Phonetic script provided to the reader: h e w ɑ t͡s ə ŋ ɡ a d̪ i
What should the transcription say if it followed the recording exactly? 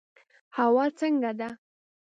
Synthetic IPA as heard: h a w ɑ t͡s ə ŋ ɡ a d̪ a